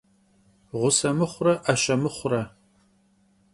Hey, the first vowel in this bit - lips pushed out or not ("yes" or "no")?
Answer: yes